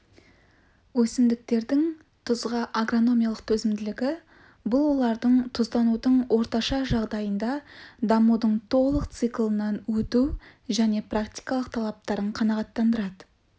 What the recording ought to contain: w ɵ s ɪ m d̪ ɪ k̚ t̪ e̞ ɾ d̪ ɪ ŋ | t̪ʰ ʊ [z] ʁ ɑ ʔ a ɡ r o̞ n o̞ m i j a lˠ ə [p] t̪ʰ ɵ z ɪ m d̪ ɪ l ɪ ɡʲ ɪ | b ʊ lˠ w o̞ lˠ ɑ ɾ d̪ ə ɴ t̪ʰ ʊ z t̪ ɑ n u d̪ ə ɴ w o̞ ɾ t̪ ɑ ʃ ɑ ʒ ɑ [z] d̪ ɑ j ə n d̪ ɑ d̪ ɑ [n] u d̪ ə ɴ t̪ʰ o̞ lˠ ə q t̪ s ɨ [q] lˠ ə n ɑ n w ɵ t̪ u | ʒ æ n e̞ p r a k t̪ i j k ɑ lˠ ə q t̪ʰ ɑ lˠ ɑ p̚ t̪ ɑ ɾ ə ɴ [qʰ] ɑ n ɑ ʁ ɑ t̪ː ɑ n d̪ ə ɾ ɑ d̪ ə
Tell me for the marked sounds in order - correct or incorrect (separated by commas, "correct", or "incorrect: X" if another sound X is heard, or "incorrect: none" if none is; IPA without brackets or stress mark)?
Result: correct, incorrect: q, incorrect: ʁ, incorrect: m, incorrect: k, correct